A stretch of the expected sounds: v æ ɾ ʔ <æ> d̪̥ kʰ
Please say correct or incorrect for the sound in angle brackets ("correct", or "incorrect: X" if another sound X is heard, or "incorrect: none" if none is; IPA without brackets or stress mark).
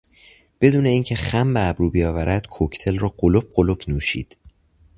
correct